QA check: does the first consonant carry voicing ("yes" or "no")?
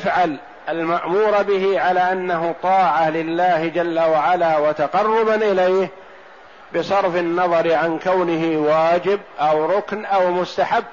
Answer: no